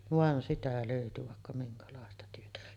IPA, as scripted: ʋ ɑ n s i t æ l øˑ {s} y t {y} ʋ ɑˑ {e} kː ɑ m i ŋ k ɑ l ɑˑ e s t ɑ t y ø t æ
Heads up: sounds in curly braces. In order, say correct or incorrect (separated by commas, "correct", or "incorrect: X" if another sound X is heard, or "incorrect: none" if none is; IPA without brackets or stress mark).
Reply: incorrect: none, correct, correct